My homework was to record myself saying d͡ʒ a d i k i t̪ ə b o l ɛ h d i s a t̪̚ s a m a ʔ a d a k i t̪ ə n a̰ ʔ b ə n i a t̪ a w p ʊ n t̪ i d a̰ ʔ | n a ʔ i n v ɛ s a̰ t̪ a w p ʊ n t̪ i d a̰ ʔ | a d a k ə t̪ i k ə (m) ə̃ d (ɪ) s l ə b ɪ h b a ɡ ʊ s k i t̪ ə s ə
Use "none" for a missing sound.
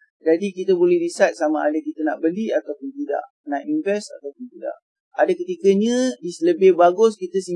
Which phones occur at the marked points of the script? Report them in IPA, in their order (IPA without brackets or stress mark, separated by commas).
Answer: ɲ, i